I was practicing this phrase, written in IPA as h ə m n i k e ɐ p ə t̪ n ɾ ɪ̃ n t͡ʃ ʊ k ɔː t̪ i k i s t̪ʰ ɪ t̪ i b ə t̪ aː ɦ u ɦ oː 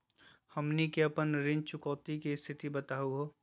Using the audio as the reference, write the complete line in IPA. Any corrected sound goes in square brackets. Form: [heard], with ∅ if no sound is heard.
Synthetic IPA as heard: h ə m n i k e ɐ p ə [∅] n ɾ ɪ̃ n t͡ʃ ʊ k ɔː t̪ i k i s t̪ʰ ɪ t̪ i b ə t̪ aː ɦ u ɦ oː